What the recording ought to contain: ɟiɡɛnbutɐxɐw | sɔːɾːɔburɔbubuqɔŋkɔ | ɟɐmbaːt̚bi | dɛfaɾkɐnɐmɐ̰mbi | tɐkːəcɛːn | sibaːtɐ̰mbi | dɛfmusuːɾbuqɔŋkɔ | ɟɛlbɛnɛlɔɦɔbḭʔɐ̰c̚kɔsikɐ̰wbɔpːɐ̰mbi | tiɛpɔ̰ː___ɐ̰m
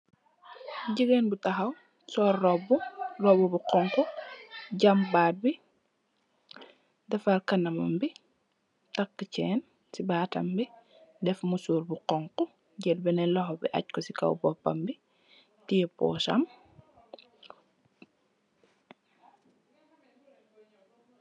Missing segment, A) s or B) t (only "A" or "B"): A